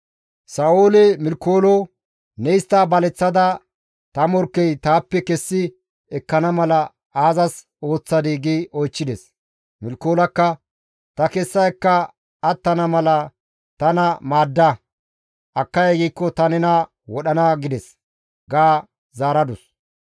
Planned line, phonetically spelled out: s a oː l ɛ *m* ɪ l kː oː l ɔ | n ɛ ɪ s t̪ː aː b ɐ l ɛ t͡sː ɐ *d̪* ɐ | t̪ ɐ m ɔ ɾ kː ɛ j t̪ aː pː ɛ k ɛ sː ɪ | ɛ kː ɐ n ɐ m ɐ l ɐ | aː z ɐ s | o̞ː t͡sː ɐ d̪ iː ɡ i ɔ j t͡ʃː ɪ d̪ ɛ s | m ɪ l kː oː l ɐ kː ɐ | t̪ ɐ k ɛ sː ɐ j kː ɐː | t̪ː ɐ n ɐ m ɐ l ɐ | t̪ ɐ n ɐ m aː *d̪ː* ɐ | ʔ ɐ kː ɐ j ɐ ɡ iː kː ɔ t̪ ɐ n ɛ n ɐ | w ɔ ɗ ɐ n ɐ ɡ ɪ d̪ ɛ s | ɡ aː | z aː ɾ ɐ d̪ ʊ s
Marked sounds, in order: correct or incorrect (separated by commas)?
correct, correct, correct